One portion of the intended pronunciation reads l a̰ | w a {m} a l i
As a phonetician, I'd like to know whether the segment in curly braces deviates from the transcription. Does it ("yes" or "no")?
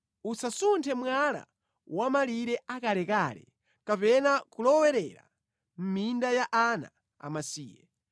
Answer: no